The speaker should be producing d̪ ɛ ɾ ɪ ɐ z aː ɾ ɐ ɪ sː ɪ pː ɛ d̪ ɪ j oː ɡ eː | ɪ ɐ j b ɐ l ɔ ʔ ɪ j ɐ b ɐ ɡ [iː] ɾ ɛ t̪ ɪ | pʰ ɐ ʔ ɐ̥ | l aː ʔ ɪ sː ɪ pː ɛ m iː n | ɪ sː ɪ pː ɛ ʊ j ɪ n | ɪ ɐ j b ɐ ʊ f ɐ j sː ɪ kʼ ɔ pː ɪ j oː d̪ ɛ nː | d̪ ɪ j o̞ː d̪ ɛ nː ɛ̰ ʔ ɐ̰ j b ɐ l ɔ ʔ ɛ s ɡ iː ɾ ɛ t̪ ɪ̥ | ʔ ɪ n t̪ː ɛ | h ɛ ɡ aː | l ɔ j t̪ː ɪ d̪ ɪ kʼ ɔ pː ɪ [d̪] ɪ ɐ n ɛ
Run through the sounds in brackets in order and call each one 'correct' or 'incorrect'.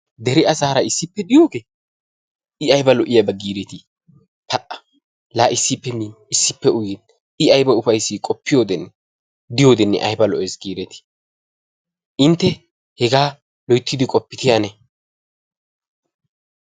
correct, incorrect

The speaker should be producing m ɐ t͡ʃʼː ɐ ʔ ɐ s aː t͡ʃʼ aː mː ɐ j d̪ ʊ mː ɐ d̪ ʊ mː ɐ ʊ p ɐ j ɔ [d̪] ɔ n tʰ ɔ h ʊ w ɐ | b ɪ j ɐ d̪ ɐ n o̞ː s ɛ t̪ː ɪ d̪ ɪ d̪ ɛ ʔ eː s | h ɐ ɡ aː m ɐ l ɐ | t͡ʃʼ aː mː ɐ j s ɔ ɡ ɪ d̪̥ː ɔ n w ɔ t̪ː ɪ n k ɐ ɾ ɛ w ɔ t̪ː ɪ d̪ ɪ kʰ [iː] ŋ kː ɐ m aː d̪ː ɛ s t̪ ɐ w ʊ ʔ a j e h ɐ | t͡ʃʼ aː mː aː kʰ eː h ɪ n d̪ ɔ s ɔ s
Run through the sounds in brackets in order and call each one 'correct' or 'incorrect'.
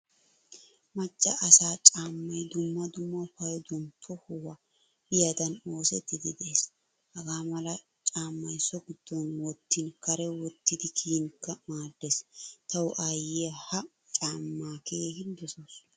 correct, correct

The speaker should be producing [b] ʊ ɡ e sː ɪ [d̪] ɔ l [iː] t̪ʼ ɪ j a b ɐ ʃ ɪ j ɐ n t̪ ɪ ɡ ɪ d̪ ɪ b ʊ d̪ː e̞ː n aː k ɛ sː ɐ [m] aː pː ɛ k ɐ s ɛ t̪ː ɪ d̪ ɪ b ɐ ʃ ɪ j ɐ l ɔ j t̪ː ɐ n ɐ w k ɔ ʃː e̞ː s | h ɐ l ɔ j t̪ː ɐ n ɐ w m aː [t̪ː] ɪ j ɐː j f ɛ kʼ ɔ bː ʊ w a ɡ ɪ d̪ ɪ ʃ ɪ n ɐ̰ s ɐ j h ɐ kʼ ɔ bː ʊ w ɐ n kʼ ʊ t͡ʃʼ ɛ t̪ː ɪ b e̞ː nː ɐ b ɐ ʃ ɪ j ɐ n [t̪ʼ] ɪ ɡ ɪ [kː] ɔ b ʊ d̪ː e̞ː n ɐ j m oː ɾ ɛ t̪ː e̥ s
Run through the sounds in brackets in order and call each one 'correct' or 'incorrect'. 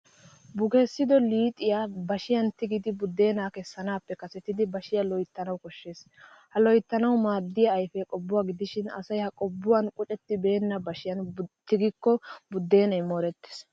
correct, correct, correct, incorrect, incorrect, incorrect, correct

